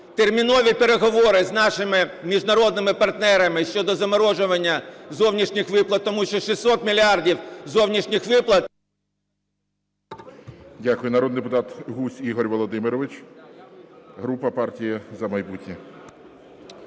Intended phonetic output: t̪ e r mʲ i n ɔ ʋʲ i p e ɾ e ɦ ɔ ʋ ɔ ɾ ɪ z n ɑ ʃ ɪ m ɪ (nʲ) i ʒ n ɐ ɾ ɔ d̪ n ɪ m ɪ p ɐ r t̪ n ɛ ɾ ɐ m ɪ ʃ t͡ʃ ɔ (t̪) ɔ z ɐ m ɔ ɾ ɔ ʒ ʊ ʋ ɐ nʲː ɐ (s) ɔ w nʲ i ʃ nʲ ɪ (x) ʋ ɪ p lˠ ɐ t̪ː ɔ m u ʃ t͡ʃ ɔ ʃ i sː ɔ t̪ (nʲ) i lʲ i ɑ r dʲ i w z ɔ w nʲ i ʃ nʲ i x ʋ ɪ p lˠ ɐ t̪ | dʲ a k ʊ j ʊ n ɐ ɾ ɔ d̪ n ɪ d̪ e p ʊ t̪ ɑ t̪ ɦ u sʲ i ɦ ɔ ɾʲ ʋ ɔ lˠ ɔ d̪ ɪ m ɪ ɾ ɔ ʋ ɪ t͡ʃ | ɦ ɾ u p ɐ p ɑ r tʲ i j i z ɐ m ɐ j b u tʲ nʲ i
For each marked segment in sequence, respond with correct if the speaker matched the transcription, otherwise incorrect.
incorrect: mʲ, incorrect: d̪, incorrect: z, correct, incorrect: mʲ

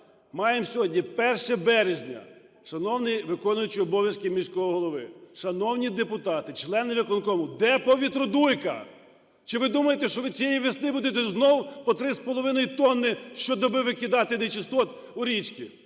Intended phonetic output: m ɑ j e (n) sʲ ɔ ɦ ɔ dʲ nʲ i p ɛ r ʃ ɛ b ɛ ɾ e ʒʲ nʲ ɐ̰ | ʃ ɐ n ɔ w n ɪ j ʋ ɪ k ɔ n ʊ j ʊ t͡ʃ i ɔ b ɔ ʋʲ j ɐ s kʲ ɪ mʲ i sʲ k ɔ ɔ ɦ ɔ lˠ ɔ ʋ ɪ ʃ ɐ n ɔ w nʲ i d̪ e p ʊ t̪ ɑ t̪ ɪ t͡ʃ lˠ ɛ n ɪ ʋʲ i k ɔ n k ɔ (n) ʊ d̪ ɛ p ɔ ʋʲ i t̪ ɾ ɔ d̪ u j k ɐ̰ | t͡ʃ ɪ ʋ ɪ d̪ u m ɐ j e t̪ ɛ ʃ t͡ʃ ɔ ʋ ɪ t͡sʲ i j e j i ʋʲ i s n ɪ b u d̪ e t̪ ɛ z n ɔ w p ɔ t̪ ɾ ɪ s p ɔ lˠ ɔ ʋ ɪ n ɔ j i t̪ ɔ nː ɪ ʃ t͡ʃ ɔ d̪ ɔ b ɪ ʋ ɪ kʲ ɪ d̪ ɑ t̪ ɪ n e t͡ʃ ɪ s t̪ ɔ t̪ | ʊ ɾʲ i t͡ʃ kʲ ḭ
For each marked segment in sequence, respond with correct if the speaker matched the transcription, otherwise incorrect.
incorrect: m, incorrect: m

